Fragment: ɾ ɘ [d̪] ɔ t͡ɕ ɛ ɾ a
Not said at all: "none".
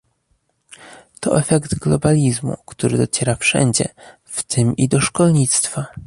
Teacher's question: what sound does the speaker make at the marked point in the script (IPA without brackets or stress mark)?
d̪